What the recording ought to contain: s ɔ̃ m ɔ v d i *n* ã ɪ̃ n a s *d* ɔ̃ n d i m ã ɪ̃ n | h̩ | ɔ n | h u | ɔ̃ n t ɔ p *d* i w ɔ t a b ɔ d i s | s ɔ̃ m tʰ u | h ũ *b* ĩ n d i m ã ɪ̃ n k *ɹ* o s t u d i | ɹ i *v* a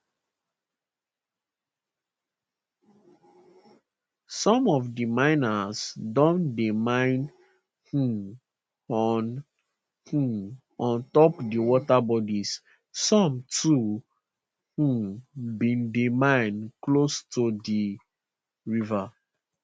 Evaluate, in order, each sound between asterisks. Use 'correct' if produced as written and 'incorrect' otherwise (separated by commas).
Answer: incorrect, correct, correct, correct, incorrect, correct